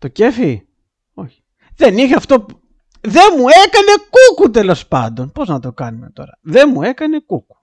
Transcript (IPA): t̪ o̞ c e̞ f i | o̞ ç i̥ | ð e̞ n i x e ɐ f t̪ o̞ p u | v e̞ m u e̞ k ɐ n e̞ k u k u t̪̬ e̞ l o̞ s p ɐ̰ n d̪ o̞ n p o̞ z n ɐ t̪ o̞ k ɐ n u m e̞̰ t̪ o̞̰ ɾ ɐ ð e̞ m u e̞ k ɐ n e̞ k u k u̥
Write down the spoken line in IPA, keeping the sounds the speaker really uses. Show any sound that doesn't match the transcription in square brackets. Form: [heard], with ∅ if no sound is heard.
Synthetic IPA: t̪ o̞ c e̞ f i | o̞ ç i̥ | ð e̞ n i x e ɐ f t̪ o̞ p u | [ð] e̞ m u e̞ k ɐ n e̞ k u k u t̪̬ e̞ l o̞ s p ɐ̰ n d̪ o̞ n p o̞ z n ɐ t̪ o̞ k ɐ n u m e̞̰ t̪ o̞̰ ɾ ɐ ð e̞ m u e̞ k ɐ n e̞ k u k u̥